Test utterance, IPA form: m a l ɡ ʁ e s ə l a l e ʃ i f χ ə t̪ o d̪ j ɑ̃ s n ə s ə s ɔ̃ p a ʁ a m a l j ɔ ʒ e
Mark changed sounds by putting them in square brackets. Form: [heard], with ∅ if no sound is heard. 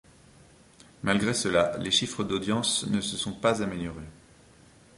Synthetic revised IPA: m a l ɡ ʁ e s ə l a l e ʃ i f χ ə [d̪] o d̪ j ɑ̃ s n ə s ə s ɔ̃ p a [z] a m [e] l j ɔ [ʁ] e